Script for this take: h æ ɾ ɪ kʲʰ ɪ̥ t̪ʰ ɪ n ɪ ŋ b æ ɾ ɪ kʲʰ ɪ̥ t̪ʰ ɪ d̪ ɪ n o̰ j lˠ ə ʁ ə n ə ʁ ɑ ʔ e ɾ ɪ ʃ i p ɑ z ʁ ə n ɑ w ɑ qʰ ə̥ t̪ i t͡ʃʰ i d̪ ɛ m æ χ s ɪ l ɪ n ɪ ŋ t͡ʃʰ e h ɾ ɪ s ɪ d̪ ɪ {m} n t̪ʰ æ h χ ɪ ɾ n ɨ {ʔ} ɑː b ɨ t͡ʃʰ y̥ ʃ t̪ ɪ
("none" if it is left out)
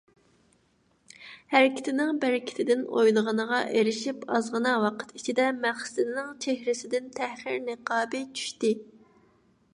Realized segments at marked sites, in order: none, q

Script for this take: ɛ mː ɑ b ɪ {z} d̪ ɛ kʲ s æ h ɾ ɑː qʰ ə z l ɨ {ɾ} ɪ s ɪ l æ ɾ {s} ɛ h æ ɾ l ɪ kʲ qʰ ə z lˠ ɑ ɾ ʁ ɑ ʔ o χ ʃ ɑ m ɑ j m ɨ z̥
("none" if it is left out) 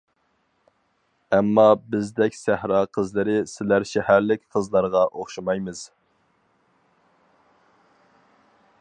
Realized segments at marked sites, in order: z, ɾ, ʃ

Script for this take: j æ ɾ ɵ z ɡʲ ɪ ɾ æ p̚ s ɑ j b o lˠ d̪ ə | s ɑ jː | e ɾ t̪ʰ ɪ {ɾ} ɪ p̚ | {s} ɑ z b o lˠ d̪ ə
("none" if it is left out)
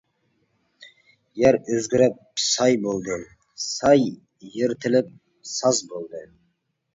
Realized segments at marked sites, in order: l, s

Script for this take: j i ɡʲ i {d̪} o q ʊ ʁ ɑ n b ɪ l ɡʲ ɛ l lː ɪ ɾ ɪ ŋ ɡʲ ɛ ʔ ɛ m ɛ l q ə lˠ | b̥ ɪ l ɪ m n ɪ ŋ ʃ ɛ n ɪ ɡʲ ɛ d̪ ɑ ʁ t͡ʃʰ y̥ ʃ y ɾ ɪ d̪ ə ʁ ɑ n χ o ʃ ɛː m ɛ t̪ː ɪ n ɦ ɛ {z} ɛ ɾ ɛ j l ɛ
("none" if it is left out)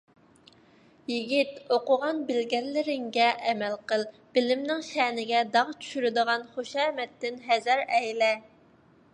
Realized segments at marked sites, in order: t̪, z

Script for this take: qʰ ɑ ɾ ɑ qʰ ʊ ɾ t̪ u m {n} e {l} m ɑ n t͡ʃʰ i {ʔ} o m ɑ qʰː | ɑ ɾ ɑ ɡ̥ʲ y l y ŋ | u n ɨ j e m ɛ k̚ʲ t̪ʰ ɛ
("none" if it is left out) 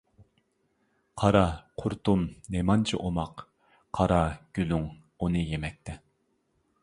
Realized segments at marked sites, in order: n, none, ʔ

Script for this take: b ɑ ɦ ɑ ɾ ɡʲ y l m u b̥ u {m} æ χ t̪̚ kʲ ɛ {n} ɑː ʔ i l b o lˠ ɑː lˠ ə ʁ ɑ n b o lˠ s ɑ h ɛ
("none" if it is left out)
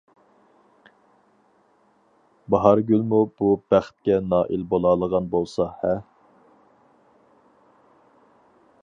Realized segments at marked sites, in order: b, n

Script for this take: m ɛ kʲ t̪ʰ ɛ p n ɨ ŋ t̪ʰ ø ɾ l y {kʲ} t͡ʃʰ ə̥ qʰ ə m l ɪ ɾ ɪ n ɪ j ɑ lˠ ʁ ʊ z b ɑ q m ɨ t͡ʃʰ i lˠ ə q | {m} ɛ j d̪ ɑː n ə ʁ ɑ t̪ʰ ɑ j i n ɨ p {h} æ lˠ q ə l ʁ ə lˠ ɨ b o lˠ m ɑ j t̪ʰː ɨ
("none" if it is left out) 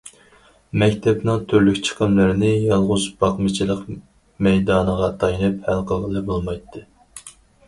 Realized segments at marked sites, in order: kʲ, m, h

